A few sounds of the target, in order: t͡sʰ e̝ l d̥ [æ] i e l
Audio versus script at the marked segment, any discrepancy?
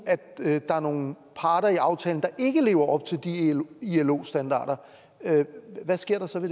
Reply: yes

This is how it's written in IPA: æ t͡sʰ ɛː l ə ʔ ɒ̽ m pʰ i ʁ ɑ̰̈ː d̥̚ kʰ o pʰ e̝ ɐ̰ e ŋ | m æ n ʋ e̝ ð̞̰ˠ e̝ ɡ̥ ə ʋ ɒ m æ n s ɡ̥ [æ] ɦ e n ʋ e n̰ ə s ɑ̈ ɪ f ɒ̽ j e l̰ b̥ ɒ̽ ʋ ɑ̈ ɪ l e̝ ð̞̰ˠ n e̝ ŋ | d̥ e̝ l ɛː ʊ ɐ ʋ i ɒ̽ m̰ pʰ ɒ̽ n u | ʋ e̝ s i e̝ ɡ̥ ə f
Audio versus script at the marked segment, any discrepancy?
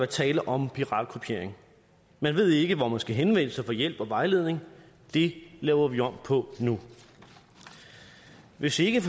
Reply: no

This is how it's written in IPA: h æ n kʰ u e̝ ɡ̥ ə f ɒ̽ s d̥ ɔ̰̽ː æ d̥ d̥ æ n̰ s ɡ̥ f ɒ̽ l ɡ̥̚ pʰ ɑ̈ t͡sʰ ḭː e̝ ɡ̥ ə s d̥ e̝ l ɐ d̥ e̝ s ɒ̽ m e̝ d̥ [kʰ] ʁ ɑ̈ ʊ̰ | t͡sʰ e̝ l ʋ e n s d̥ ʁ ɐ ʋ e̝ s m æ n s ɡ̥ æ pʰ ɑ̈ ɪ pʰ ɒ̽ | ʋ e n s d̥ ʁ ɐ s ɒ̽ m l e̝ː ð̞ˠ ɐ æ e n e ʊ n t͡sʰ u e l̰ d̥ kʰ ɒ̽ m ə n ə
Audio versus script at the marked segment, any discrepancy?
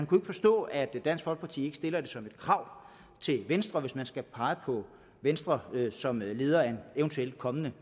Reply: no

